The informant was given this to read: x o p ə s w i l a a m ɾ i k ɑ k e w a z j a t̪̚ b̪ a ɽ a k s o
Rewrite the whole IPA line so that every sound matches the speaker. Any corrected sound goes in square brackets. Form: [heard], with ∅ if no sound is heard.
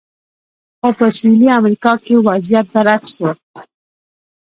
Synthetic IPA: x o p ə s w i l [i] a m ɾ i k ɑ k e w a z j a t̪̚ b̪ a [ɾ] a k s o